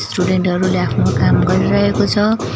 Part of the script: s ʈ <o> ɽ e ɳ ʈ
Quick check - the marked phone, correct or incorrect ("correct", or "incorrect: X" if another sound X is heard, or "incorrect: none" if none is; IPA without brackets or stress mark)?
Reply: incorrect: u